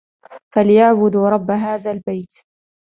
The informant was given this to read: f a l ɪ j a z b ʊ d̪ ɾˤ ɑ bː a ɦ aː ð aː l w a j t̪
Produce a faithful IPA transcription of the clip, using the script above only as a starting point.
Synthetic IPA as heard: f a l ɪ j a ʕ b ʊ d̪ ɾˤ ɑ bː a ɦ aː ð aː l b a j t̪